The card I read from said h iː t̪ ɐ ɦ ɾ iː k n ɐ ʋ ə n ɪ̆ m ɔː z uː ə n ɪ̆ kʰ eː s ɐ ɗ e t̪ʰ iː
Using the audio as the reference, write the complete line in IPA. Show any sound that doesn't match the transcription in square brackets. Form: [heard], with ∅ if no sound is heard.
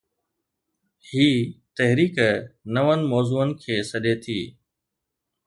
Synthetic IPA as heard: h iː t̪ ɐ ɦ ɾ iː k n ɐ ʋ ə n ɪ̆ m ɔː z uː ə n ɪ̆ kʰ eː s ɐ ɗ e t̪ʰ iː